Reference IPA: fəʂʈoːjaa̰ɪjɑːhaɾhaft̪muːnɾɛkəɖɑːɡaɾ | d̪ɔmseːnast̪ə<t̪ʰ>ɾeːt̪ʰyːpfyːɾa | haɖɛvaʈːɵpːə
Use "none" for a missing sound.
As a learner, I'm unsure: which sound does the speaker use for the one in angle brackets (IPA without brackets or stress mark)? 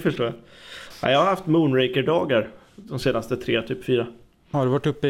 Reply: t̪ʰ